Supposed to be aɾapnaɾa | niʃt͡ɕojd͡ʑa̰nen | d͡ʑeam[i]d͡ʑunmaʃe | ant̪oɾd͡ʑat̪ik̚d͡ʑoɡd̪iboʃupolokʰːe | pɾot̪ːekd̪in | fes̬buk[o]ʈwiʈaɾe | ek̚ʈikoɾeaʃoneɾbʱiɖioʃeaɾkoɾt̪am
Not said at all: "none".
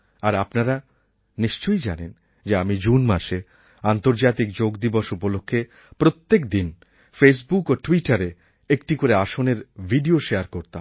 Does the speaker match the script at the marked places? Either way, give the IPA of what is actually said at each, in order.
i, o

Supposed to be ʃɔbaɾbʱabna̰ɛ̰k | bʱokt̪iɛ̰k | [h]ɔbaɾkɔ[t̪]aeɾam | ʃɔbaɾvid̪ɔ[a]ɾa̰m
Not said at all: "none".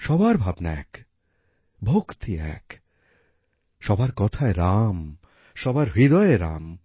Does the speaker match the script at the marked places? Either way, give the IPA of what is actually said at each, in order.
ʃ, t̪ʰ, e

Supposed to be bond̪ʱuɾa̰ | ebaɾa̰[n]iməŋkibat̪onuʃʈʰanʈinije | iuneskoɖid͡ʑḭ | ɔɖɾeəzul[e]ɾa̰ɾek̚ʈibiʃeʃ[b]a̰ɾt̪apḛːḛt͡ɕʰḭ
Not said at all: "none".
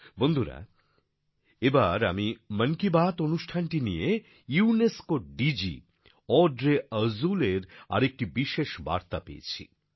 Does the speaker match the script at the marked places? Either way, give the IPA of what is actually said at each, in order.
m, e, b

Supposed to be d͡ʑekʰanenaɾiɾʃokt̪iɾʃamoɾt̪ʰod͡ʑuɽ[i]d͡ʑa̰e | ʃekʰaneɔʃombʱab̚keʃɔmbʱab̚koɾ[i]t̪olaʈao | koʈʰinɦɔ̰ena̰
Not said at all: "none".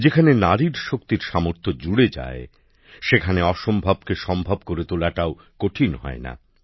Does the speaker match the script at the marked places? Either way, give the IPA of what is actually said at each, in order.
e, e

